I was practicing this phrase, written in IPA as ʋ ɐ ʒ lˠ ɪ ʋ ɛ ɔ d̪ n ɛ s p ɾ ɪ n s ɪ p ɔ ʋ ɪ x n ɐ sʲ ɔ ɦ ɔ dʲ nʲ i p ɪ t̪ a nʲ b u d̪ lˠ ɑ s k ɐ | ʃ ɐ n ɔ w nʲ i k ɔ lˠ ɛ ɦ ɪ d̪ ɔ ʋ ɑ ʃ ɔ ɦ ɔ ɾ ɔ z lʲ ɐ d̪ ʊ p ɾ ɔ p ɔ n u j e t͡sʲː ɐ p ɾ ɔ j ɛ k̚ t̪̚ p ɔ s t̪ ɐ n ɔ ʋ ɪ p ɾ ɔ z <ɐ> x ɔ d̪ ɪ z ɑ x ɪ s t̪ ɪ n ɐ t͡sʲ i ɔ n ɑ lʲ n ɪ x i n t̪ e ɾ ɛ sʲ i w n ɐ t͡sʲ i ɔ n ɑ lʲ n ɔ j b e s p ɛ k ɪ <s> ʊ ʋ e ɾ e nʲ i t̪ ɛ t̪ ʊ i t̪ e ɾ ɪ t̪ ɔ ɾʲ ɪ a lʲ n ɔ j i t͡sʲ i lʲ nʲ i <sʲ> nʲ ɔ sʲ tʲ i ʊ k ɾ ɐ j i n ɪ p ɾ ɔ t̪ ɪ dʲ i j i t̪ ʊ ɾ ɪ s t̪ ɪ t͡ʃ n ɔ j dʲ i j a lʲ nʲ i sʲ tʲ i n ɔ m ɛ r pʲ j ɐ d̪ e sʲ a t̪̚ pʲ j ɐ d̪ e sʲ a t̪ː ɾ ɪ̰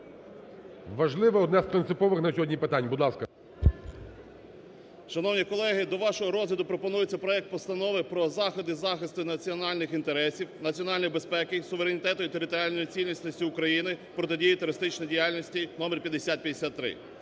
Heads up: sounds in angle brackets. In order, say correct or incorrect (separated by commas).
incorrect, correct, correct